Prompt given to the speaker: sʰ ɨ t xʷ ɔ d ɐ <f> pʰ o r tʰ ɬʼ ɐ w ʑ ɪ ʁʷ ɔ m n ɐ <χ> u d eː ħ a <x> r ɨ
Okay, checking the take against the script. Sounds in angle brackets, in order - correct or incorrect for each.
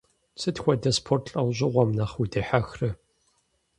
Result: incorrect, correct, correct

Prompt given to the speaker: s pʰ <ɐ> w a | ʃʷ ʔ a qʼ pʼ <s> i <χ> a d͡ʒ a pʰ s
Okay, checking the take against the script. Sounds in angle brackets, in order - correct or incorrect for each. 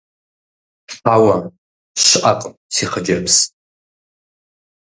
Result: incorrect, correct, correct

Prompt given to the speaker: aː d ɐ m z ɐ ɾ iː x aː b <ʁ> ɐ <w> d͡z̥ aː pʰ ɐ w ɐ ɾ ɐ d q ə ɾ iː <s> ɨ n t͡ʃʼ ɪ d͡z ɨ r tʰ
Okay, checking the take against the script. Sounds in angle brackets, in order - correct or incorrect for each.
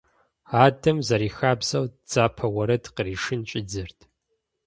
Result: incorrect, correct, incorrect

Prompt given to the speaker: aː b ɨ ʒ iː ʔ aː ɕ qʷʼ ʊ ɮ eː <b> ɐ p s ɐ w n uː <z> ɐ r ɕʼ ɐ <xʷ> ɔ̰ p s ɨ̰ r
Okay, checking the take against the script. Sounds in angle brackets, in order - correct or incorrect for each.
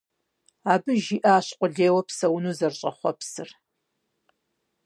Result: incorrect, correct, incorrect

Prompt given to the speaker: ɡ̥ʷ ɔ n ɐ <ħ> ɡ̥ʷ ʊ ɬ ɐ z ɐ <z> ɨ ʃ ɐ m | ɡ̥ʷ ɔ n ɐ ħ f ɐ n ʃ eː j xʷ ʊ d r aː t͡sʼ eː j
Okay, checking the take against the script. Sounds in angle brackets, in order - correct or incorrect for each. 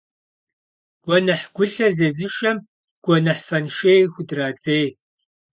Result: correct, correct

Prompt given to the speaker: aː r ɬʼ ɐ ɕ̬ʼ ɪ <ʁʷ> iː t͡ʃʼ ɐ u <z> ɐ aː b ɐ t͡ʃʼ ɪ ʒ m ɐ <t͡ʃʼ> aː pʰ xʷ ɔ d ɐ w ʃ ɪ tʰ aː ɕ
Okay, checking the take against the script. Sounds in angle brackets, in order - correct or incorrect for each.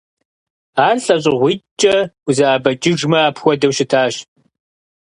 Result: correct, correct, incorrect

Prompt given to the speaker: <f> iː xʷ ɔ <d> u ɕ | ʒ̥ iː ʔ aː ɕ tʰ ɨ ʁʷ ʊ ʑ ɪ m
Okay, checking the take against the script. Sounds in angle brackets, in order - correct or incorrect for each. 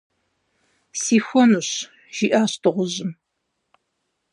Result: incorrect, incorrect

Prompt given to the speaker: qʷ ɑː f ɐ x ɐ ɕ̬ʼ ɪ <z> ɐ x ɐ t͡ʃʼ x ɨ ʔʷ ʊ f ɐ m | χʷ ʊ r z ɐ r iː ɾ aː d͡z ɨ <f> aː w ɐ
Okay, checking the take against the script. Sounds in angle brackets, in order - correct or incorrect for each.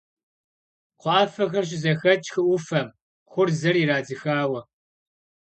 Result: correct, incorrect

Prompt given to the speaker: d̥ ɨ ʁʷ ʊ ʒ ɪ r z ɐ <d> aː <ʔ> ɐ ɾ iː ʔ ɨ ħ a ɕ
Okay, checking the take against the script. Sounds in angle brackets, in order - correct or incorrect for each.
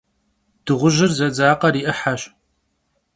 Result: incorrect, incorrect

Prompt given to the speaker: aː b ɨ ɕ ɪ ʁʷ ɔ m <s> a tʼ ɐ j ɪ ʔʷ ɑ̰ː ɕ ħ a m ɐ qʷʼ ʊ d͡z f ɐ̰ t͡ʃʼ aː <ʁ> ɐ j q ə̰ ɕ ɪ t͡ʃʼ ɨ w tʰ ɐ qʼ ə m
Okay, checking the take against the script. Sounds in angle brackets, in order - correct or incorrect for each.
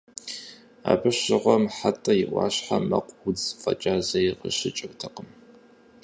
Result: incorrect, incorrect

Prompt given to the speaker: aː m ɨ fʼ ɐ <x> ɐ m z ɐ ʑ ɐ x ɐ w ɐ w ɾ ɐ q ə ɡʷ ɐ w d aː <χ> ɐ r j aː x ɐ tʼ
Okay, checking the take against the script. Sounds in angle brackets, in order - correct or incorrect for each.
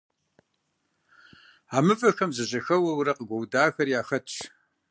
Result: correct, incorrect

